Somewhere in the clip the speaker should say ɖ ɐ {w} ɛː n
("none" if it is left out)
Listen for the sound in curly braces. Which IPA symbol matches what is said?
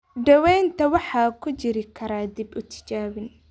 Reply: w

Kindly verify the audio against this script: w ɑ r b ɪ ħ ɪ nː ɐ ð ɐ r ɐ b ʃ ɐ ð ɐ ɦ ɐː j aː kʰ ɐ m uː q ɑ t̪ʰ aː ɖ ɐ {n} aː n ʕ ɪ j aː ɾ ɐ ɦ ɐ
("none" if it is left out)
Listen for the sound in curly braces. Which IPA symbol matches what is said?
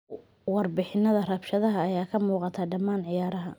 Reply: m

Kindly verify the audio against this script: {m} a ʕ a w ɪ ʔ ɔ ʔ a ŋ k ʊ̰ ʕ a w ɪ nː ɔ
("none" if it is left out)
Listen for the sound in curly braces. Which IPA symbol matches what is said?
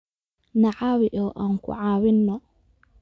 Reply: n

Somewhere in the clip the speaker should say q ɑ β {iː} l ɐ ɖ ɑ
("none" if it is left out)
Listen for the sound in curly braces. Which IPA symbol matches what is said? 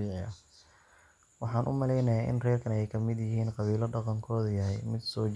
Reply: iː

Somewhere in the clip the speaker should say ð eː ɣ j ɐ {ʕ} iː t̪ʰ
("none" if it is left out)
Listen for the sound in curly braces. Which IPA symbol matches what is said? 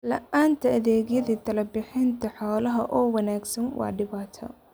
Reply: ð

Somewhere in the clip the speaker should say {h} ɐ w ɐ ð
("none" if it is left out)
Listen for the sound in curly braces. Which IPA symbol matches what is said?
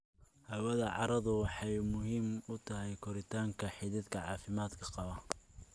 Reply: h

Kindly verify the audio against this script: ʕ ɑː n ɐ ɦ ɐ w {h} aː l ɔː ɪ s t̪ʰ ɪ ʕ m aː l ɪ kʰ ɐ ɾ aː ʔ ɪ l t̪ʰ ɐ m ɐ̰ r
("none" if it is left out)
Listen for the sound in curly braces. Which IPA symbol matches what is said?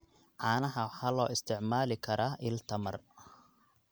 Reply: ħ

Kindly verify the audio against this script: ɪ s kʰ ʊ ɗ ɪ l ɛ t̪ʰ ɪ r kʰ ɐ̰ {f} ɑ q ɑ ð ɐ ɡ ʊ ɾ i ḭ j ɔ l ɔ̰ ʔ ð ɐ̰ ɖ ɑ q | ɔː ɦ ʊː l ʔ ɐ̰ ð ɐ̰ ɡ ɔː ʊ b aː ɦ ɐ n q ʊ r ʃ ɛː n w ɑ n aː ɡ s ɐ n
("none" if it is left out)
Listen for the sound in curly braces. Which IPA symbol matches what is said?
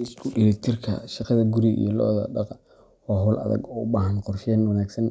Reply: ʃ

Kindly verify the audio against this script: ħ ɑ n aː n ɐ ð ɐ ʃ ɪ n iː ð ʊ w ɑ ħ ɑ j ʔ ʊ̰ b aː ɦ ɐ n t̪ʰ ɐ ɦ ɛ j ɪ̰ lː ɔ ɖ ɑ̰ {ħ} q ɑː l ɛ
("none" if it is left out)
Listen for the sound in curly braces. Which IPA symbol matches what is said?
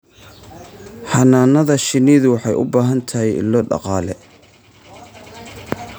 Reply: none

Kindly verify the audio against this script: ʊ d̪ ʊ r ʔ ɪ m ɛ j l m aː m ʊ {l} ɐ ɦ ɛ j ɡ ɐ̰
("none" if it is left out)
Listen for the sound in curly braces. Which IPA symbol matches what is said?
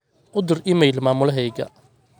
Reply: l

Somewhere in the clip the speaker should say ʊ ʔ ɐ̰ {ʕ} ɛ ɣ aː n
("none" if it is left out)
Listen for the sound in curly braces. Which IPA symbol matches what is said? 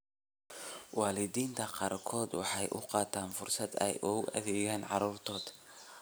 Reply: ð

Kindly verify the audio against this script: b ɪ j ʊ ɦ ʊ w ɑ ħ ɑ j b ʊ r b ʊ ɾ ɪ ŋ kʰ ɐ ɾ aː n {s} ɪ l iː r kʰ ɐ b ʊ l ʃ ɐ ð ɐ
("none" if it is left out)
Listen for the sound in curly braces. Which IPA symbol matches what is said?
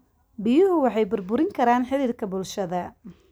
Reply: ħ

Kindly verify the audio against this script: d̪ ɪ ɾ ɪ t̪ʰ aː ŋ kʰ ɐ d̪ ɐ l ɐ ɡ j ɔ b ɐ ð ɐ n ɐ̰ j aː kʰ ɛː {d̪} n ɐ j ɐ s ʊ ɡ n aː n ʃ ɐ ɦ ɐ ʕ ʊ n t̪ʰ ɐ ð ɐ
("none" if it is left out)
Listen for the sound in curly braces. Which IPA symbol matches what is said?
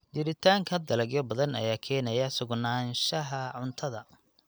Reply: none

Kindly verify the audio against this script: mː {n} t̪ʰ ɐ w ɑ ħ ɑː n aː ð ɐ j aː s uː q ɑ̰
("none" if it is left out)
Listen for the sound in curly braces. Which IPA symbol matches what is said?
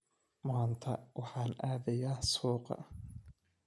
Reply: n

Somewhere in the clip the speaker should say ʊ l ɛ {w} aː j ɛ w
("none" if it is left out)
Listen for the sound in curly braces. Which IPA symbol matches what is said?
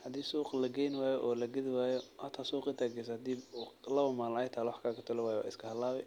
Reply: w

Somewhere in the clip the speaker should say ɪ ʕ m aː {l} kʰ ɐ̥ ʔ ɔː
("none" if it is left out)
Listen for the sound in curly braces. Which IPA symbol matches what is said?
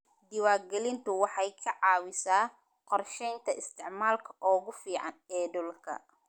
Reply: l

